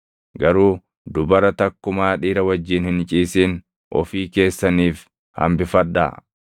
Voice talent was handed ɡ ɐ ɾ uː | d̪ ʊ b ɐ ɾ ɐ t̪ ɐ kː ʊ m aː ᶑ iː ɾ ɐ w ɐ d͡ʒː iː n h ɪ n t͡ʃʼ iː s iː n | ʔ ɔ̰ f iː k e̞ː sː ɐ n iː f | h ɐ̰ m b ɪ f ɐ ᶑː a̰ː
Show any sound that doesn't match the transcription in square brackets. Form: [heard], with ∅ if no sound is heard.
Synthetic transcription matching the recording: ɡ ɐ ɾ uː | d̪ ʊ b ɐ ɾ ɐ t̪ ɐ kː ʊ m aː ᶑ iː ɾ ɐ w ɐ d͡ʒː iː n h ɪ n t͡ʃʼ iː s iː n | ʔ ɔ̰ f iː k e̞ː sː ɐ n iː f | h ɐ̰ m b ɪ f ɐ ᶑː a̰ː